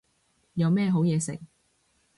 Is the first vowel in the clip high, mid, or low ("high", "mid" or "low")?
low